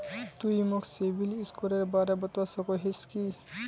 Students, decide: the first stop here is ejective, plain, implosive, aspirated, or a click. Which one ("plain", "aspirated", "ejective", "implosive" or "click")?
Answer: plain